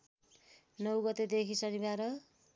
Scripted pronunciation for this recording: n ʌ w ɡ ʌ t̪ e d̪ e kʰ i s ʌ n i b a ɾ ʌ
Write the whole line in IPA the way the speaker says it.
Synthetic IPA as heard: n ʌ w ɡ ʌ t̪ e d̪ e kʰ i s ʌ n i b a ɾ ʌ